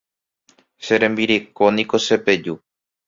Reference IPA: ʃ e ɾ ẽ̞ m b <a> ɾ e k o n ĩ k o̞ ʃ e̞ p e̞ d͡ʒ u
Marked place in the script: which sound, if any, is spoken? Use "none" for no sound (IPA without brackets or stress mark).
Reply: i